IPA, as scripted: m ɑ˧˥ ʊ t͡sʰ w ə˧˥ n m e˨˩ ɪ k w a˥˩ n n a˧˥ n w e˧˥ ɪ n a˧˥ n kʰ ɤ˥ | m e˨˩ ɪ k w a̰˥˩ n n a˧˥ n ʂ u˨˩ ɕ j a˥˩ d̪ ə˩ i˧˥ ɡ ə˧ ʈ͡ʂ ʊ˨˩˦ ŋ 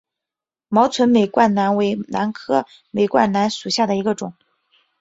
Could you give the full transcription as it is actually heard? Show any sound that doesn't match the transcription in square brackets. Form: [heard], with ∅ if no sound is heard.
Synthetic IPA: m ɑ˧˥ ʊ t͡sʰ w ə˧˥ n m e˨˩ ɪ k w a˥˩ n n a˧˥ n w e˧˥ ɪ n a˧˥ n kʰ ɤ˥ | m e˨˩ ɪ k w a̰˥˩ n n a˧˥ n ʂ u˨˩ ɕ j a˥˩ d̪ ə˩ i˧˥ ɡ ə˧ ʈ͡ʂ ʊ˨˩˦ ŋ